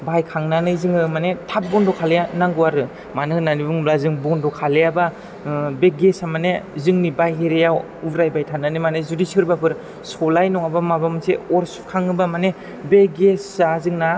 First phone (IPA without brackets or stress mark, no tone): b